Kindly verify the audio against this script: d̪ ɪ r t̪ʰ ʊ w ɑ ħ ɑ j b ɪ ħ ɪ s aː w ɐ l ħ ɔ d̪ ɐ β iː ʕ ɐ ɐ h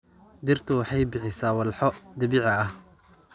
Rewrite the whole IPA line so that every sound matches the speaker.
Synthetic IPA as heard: d̪ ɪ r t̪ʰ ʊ w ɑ ħ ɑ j b ɪ ħ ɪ s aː w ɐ l ħ ɔ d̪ ɐ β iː ʕ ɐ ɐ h